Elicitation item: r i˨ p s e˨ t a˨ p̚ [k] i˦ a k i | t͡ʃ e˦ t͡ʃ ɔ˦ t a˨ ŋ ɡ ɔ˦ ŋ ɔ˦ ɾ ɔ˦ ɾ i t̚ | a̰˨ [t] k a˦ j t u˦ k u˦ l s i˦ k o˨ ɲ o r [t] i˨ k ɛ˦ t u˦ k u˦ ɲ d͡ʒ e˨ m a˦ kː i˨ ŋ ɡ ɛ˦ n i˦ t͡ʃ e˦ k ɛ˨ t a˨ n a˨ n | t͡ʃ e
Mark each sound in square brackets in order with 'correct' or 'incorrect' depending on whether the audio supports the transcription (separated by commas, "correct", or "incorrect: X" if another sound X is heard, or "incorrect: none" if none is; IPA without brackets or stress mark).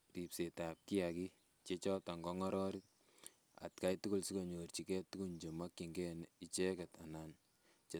correct, correct, incorrect: t͡ʃ